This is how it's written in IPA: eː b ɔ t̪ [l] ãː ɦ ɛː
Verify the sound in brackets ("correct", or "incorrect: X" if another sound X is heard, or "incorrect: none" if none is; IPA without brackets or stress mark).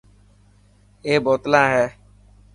correct